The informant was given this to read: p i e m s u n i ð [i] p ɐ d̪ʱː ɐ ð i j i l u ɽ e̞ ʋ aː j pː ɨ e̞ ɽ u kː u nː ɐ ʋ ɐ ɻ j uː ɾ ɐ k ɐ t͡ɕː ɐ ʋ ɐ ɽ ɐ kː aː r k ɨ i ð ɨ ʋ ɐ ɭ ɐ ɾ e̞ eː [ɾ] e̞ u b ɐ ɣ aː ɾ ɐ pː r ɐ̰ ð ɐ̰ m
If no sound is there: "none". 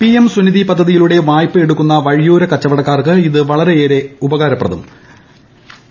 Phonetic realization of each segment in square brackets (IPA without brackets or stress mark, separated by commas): i, ɾ